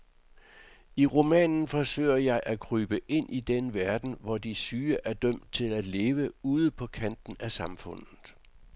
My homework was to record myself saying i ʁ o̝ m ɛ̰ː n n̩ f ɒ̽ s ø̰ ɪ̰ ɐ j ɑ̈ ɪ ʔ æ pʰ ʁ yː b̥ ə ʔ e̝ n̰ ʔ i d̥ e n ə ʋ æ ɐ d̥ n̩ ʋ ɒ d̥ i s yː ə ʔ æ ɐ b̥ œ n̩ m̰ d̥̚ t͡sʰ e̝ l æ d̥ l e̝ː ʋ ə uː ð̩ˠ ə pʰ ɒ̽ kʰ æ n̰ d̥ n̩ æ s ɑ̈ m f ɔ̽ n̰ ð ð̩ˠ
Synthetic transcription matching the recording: i ʁ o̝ m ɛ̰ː n n̩ f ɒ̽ s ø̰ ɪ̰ ɐ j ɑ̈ ɪ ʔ æ kʰ ʁ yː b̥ ə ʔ e̝ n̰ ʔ i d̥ e n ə ʋ æ ɐ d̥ n̩ ʋ ɒ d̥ i s yː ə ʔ æ ɐ d̥ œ m̰ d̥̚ t͡sʰ e̝ l æ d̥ l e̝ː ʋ ə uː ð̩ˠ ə pʰ ɒ̽ kʰ æ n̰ d̥ n̩ æ s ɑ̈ m f ɔ̽ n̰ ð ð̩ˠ